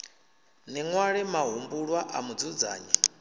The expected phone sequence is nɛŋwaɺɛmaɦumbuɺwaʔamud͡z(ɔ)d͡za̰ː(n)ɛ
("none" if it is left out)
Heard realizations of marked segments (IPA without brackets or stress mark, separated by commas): u, ɲ